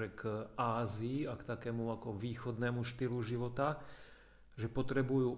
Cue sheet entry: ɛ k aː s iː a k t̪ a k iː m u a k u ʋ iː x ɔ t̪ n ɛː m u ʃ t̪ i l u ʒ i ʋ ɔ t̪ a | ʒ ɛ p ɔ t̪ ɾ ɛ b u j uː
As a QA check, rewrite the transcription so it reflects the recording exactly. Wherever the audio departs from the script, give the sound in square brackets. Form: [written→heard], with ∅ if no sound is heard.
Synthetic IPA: ɛ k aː [s→z] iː a k t̪ a k [iː→ɛː] m u a k [u→ɔ] ʋ iː x ɔ [t̪→d̪] n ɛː m u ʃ t̪ i l u ʒ i ʋ ɔ t̪ a | ʒ ɛ p ɔ t̪ ɾ ɛ b u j uː